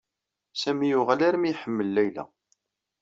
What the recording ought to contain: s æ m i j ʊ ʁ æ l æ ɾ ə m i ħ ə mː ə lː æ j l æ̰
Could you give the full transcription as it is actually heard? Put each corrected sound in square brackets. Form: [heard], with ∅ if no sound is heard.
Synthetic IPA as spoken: s æ m i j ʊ ʁ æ l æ ɾ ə m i ħ ə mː ə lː æ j l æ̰

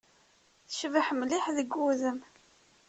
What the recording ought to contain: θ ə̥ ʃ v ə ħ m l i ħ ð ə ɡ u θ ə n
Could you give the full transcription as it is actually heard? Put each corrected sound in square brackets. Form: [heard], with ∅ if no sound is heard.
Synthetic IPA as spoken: θ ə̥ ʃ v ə ħ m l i ħ ð ə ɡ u [ð] ə [m]

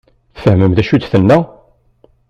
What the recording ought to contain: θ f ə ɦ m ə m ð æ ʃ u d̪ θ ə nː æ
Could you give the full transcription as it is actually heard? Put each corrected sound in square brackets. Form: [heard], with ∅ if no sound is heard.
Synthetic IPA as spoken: θ f ə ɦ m ə m ð æ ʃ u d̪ θ ə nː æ

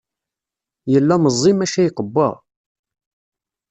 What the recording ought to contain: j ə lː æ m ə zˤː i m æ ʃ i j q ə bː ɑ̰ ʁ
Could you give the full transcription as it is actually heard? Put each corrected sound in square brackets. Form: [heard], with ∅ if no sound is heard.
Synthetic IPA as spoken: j ə lː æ m ə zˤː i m æ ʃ [æ] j q ə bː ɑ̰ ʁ

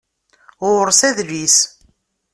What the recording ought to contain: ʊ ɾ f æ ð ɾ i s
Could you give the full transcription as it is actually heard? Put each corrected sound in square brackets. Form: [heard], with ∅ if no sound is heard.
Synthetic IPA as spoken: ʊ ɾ [s] æ ð [l] i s

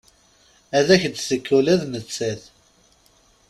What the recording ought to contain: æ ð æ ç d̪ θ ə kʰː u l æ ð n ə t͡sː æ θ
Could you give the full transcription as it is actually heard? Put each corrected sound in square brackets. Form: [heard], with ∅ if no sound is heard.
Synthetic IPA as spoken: æ ð æ ç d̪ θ ə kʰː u l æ ð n ə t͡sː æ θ

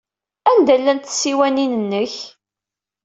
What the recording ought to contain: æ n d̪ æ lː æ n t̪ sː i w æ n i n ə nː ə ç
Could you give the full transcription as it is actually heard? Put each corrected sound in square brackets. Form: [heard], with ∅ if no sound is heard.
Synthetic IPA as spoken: æ n d̪ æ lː æ n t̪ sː i w æ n i n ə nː ə ç

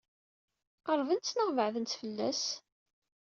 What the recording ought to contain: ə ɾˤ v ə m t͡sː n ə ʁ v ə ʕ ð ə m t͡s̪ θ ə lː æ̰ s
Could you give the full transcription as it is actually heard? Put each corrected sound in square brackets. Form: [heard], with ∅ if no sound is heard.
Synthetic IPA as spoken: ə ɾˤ v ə [n] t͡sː n ə ʁ v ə ʕ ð ə [n] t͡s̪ [f] ə lː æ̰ s

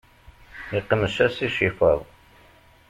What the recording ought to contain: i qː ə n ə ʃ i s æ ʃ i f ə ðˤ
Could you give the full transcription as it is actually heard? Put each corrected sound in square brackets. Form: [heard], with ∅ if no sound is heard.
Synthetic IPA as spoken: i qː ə [m] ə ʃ [æ] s [i] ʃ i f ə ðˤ

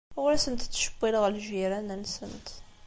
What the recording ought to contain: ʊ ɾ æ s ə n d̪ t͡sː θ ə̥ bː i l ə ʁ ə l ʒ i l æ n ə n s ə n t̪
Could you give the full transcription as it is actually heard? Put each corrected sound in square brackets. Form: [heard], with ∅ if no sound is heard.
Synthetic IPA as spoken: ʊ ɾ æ s ə n [t̪] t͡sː [ʃ] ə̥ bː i l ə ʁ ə l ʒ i [ɾ] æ n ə n s ə n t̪

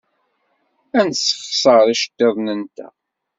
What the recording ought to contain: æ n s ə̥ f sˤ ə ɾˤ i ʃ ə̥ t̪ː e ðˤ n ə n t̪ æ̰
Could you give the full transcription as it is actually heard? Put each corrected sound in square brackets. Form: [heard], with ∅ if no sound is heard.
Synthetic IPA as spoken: æ n s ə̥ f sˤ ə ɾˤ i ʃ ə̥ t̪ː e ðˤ n ə n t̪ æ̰

